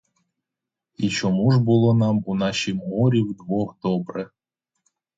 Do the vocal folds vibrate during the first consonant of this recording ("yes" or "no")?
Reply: no